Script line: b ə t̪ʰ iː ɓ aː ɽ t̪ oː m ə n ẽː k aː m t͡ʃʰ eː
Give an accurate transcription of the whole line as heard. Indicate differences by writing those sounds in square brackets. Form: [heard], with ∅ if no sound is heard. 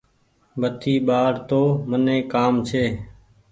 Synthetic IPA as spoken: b ə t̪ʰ iː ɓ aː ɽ t̪ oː m ə n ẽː k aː m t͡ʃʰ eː